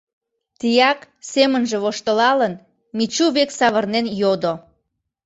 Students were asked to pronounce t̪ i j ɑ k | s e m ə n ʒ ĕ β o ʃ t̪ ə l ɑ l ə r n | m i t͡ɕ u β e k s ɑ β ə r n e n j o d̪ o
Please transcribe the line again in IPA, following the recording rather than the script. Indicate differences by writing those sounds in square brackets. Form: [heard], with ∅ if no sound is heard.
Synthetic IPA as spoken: t̪ i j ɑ k | s e m ə n ʒ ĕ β o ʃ t̪ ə l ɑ l ə [∅] n | m i t͡ɕ u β e k s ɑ β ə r n e n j o d̪ o